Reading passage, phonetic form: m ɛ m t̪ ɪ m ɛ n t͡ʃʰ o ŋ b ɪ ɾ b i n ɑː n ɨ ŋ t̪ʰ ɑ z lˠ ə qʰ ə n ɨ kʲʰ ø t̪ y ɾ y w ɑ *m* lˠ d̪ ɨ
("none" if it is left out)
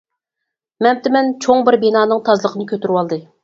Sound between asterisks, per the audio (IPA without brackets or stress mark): none